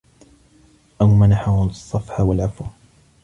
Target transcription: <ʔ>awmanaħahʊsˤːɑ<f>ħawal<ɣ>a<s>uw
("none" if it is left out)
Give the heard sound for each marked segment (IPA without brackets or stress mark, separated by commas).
ʔ, f, ʕ, f